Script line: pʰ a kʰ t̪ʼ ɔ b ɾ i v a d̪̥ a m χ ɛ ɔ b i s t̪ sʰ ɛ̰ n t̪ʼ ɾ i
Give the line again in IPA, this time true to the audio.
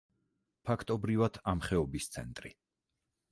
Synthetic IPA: pʰ a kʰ t̪ʼ ɔ b ɾ i v a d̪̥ a m χ ɛ ɔ b i s t̪ sʰ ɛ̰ n t̪ʼ ɾ i